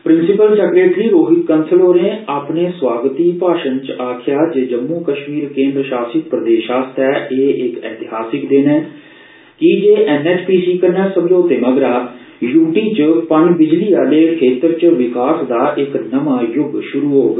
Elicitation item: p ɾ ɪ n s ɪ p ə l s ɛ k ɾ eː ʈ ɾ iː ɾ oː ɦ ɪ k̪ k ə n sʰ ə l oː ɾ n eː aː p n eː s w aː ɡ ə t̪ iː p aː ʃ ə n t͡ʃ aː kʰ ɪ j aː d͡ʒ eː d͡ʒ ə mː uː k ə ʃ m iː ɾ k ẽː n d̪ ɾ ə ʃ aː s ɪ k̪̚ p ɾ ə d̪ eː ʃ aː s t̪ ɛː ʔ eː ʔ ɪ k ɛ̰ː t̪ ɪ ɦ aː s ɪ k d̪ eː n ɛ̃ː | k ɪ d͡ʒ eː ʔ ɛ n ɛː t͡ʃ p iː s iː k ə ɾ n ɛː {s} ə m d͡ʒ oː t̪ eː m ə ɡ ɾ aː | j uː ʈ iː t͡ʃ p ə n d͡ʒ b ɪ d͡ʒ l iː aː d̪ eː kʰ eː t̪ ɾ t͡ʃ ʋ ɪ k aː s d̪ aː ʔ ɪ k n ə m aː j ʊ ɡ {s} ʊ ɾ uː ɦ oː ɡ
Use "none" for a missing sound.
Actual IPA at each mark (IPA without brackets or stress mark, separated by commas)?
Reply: s, ʃ